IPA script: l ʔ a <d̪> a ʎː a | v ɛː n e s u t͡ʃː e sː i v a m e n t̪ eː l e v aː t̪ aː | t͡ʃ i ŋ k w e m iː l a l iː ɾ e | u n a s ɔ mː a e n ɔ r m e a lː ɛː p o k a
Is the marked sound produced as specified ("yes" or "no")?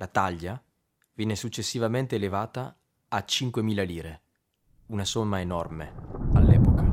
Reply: no